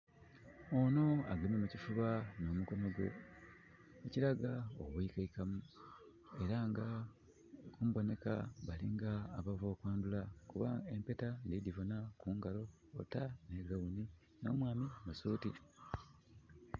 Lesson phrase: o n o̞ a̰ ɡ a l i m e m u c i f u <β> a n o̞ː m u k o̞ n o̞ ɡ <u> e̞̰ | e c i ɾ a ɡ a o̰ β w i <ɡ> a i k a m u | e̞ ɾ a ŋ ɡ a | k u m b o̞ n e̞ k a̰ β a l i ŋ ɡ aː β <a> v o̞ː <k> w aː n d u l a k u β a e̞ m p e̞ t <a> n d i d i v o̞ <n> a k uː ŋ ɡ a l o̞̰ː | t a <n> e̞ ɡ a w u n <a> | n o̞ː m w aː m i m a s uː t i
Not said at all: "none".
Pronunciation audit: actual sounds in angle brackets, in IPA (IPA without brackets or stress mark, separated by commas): β, w, k, a, k, a, n, n, i